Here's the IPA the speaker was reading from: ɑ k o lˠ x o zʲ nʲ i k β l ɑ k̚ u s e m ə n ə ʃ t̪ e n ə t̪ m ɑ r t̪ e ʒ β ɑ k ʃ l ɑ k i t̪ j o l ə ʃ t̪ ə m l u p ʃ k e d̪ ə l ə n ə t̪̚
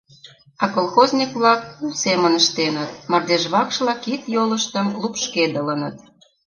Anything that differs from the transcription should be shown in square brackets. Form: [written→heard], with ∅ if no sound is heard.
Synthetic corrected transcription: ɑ k o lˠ x o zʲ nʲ i k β l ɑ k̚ u s e m ə n ə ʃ t̪ e n ə t̪ m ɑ r [t̪→d̪] e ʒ β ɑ k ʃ l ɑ k i t̪ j o l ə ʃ t̪ ə m l u p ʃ k e d̪ ə l ə n ə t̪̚